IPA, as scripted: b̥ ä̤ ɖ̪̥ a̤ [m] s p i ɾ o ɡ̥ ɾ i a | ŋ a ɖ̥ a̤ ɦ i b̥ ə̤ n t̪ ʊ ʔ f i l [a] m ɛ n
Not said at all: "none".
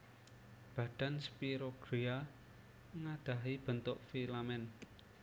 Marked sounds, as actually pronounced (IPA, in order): n, a

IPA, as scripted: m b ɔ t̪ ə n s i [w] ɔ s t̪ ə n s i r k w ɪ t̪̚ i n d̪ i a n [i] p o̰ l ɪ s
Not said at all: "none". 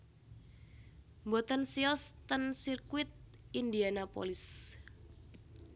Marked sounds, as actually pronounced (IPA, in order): none, a

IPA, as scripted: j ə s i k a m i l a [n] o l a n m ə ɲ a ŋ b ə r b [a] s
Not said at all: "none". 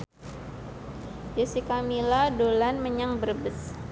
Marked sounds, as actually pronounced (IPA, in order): d, ə

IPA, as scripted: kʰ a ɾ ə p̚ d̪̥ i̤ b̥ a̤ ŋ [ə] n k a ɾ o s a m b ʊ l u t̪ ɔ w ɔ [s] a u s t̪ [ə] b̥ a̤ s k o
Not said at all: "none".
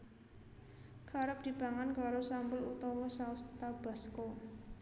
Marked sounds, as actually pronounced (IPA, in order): a, s, a

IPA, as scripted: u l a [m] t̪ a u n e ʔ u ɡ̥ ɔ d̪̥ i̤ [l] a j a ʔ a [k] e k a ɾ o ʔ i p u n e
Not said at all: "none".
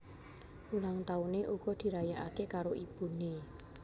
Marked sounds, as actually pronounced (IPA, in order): ŋ, ɾ, k

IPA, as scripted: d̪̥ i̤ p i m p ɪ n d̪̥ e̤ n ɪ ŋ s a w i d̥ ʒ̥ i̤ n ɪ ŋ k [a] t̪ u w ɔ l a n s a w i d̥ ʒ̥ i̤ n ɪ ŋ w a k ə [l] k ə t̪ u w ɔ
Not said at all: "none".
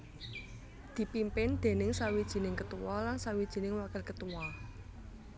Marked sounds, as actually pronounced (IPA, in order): ə, l

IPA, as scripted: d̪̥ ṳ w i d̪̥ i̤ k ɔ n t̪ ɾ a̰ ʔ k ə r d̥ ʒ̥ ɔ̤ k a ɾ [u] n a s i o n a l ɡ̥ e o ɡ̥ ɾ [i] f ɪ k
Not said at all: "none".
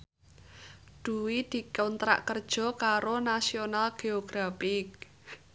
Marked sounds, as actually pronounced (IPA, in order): o, a

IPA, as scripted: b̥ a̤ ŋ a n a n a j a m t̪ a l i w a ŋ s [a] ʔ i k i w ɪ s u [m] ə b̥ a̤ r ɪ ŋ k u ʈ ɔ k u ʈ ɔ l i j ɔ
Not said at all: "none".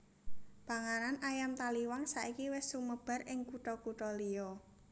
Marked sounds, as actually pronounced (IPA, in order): a, m

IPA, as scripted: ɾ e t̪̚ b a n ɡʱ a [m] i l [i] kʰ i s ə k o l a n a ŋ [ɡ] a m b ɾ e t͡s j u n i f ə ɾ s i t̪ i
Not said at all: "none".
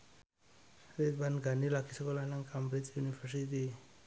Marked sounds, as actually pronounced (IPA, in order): n, a, k

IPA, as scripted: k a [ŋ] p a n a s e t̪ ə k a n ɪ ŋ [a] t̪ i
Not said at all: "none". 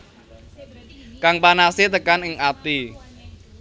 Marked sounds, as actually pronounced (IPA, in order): ŋ, a

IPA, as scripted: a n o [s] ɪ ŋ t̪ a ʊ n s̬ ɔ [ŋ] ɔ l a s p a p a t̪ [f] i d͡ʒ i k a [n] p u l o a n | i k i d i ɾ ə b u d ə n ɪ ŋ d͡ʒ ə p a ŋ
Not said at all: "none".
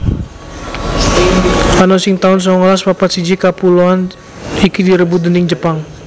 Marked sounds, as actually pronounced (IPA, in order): s, ŋ, s, none

